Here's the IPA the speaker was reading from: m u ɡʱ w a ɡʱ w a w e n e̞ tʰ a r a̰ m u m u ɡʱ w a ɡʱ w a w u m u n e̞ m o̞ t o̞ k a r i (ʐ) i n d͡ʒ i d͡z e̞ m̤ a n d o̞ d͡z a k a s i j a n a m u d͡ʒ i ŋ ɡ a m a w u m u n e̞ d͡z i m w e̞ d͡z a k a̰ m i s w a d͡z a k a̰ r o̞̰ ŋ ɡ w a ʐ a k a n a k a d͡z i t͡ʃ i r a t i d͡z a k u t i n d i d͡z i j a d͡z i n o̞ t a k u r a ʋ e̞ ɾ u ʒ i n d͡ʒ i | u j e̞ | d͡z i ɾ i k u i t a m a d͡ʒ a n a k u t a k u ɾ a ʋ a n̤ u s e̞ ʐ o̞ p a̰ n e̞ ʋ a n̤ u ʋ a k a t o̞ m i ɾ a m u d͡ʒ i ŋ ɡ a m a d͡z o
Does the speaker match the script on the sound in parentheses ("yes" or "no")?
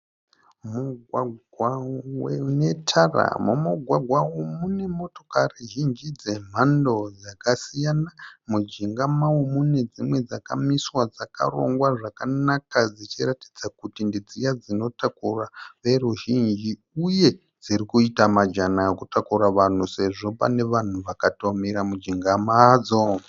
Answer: no